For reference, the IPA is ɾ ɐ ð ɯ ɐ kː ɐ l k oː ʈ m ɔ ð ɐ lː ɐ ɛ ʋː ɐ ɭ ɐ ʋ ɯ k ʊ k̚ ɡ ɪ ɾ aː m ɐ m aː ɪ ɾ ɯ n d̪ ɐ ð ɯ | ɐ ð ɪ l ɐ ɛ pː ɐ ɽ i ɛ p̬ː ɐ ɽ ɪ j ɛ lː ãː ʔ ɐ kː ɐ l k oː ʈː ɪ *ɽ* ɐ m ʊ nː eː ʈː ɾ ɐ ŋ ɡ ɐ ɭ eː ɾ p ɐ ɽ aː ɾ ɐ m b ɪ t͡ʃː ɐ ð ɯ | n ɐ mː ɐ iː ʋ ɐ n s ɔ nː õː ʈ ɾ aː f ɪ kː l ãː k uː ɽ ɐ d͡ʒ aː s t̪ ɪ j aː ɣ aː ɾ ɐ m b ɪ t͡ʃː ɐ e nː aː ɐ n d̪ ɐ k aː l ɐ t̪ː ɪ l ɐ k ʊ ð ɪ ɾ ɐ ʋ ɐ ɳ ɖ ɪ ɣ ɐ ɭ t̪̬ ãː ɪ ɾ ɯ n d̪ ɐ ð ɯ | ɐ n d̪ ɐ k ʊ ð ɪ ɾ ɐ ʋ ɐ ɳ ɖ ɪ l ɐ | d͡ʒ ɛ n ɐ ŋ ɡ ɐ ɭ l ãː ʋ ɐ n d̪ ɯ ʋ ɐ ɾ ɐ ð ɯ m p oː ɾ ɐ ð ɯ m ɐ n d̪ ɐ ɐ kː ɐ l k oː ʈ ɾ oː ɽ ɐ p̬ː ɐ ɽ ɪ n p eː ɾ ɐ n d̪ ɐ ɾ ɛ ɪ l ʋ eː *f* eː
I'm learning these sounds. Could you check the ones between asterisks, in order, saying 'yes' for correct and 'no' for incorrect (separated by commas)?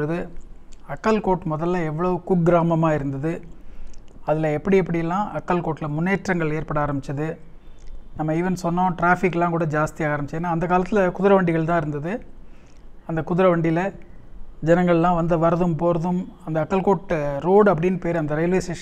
no, no